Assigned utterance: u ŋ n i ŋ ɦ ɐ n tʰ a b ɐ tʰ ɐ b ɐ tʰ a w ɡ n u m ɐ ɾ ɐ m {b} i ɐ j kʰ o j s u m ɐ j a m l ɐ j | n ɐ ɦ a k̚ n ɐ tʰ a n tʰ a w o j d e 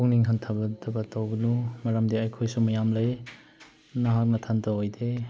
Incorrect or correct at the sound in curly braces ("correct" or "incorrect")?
incorrect